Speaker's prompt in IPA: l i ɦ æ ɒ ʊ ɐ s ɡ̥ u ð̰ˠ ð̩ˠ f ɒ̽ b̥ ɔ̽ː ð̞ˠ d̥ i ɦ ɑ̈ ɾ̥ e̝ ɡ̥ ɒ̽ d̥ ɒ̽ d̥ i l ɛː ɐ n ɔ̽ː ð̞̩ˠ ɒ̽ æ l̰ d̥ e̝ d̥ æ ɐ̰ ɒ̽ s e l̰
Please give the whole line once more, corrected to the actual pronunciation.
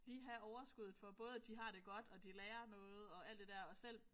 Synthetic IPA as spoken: l iː ɦ æ ɒ ʊ ɐ s ɡ̥ u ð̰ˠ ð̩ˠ f ɒ̽ b̥ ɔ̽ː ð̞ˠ d̥ i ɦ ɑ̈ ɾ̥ e̝ ɡ̥ ɒ̽ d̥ ɒ̽ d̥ i l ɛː ɐ n ɔ̽ː ð̞̩ˠ ɒ̽ æ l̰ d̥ e̝ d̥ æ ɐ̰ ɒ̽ s e l̰